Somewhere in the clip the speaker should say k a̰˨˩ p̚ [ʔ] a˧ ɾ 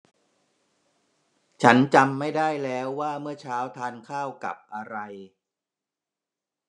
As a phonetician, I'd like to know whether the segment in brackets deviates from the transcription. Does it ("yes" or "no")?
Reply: no